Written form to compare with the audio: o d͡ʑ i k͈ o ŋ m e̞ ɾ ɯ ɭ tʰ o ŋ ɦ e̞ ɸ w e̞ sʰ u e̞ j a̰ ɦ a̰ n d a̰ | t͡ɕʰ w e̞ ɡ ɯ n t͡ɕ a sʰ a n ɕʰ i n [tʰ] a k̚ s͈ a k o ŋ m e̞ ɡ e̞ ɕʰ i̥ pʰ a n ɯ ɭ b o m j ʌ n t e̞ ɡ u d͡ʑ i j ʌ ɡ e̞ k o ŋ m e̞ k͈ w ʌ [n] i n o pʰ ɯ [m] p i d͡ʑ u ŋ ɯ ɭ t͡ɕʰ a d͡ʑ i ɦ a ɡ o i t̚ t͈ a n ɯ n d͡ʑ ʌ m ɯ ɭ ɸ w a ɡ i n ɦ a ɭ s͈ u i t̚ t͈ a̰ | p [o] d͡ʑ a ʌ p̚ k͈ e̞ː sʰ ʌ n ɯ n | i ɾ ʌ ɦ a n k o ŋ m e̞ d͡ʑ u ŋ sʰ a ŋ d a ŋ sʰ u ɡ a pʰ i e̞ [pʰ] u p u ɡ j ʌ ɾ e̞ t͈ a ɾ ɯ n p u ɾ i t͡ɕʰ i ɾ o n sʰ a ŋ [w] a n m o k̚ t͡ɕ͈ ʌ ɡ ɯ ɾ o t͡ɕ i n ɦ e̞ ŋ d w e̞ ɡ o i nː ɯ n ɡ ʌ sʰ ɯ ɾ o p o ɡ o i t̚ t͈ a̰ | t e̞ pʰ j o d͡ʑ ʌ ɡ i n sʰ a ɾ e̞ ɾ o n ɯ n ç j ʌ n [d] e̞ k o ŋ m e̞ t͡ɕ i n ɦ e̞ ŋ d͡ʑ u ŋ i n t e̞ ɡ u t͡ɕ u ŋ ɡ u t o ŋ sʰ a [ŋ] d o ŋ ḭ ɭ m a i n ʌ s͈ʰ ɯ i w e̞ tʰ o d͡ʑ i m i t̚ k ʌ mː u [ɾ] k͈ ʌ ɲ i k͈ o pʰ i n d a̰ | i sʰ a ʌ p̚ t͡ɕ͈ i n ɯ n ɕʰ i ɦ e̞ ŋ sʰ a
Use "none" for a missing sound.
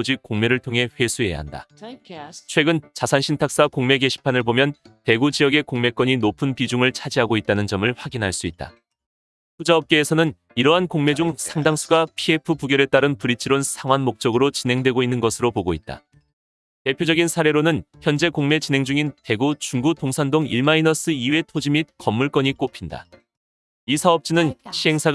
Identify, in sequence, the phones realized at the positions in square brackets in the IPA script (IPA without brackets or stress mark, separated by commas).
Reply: tʰ, ɲ, n, u, pʰ, w, d͡ʑ, n, ɭ